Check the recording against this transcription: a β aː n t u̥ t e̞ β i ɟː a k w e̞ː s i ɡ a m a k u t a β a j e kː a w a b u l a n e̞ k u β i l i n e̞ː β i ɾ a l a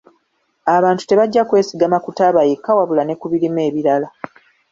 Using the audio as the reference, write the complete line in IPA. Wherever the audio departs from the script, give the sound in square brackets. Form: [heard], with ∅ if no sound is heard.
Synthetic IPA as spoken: a β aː n t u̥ t e̞ β [a] ɟː a k w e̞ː s i ɡ a m a k u t a β a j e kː a w a [β] u l a n e̞ k u β i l i [m] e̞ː β i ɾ a l a